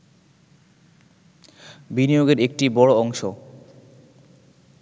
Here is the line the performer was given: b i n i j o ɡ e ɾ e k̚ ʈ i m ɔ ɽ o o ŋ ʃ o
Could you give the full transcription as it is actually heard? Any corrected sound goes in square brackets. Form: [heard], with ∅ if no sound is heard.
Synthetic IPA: b i n i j o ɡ e ɾ e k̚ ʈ i [b] ɔ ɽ o [ɔ] ŋ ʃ o